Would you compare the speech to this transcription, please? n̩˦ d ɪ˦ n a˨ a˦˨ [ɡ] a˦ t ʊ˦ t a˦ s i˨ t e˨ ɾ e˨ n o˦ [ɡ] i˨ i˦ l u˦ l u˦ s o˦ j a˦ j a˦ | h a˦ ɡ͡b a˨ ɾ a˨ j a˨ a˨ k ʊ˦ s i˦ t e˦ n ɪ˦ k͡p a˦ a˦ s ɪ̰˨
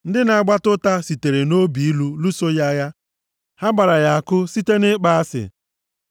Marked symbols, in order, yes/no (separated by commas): no, no